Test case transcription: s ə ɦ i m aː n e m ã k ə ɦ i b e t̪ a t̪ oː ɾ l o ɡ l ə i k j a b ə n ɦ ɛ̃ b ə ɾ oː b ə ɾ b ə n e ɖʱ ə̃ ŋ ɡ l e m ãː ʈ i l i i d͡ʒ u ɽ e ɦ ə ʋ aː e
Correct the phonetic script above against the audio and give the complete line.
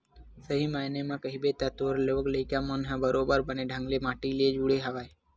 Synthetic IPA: s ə ɦ i m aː n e m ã k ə ɦ i b e t̪ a t̪ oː ɾ l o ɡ l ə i k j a m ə n ɦ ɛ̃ b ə ɾ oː b ə ɾ b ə n e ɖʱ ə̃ ŋ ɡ l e m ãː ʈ i l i e d͡ʒ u ɽ e ɦ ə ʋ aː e